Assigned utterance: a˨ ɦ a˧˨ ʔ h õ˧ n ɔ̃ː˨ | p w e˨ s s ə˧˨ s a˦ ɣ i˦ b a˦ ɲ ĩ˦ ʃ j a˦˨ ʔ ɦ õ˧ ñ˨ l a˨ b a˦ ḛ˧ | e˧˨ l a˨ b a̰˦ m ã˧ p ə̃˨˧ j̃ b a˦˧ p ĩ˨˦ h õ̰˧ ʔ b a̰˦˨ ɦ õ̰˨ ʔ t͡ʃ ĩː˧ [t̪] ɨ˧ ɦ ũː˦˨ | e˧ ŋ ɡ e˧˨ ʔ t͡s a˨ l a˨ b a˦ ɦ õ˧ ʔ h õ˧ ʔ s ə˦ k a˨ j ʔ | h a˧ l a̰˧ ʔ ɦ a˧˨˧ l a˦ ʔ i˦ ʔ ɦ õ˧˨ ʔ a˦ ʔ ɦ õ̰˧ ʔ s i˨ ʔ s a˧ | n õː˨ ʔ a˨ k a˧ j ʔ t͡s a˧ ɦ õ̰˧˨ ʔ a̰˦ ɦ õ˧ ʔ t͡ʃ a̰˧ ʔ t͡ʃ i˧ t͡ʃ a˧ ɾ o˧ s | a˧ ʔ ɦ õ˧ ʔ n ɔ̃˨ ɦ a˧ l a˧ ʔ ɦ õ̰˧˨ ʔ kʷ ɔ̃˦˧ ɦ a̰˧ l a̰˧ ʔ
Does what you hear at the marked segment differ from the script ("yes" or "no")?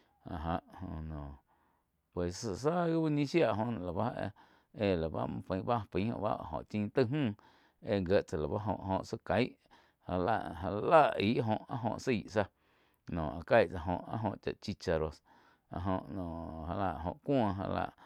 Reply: no